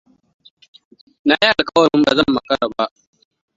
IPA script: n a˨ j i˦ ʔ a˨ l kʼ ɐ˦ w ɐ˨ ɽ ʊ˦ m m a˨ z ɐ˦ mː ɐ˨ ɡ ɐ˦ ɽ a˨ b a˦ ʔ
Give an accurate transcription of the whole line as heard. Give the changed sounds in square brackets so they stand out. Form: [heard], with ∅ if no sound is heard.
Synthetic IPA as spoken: n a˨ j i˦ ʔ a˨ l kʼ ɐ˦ w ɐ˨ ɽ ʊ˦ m [b] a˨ z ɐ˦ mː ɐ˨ [k] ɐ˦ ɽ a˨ b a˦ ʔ